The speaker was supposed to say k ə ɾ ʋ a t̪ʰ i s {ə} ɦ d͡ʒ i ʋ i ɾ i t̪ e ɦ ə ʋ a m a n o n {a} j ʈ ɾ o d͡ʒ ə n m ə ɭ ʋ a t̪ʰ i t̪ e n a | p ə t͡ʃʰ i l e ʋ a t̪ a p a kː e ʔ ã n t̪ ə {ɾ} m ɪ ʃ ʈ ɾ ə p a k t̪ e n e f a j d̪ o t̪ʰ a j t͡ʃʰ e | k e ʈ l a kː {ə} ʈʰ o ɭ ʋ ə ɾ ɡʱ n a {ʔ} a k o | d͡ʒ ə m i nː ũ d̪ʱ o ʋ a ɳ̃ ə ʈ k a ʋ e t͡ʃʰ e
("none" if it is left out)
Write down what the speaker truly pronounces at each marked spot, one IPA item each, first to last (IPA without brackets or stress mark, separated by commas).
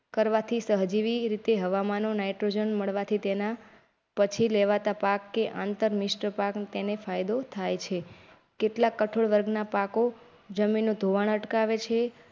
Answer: ə, a, ɾ, ə, p